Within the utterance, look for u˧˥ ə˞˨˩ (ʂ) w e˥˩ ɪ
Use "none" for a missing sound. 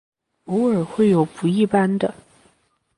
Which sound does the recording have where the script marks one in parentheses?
x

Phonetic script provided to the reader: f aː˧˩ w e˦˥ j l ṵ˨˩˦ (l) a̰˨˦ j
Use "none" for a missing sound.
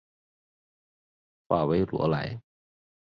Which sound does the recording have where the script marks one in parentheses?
l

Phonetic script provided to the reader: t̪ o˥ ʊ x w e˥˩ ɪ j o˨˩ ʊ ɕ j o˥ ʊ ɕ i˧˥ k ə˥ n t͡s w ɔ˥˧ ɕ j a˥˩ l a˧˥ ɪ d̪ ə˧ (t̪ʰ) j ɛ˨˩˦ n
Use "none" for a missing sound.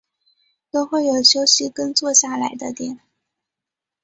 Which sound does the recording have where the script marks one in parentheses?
t̪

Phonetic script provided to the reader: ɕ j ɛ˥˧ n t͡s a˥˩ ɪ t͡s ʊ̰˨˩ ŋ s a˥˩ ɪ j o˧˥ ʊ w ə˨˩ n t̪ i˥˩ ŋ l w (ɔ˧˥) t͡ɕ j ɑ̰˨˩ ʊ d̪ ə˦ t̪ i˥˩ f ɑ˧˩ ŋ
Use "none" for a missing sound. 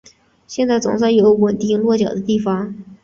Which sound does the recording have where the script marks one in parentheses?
ɔ˥˩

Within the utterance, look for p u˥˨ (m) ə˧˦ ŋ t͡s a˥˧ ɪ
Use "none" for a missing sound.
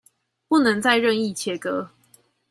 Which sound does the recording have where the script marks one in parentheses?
n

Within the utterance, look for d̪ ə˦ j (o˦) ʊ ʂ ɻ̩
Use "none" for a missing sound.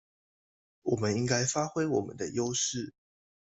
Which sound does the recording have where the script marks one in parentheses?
o˦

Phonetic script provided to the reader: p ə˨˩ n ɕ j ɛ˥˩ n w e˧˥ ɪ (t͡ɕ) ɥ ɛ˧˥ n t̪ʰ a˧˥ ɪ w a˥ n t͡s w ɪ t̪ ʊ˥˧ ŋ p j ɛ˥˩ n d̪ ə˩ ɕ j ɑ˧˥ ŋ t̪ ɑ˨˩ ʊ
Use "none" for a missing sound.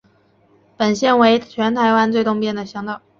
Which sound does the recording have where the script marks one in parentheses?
t͡ɕʰ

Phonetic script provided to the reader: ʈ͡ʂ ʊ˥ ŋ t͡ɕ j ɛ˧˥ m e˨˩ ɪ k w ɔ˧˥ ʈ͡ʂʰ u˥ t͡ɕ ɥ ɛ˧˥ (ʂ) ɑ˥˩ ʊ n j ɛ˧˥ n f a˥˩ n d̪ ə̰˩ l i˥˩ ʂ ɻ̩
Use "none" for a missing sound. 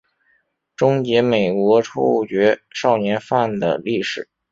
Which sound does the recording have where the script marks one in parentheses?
ʂ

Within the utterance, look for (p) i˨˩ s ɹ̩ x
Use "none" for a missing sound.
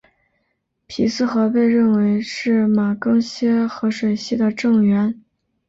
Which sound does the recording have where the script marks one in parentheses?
pʰ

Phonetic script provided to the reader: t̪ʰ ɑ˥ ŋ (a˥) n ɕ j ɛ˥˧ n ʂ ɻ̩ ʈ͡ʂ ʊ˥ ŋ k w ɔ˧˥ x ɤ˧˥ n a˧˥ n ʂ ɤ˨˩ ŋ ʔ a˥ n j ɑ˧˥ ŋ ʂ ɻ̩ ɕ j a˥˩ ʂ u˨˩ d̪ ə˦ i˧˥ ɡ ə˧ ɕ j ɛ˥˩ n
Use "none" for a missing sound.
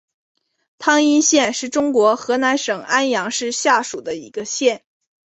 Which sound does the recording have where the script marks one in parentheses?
i˥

